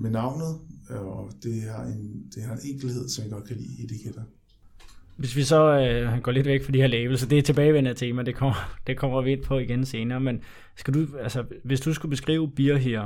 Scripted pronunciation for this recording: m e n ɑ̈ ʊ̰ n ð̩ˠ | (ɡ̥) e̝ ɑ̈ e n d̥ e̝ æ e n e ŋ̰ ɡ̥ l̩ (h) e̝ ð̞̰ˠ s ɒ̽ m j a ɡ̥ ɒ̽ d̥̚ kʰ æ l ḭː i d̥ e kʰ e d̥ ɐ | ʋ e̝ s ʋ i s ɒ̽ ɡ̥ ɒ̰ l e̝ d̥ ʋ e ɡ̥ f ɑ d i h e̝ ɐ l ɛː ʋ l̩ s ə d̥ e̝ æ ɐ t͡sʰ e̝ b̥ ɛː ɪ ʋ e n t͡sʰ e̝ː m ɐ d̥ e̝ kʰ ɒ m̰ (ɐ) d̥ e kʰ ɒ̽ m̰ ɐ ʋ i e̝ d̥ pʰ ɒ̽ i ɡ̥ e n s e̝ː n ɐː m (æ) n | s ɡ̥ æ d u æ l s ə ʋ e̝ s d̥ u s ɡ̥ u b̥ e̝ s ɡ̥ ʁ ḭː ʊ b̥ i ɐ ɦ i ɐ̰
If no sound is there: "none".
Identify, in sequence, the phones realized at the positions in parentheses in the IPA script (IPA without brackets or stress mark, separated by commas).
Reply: d̥, h, ɐ, e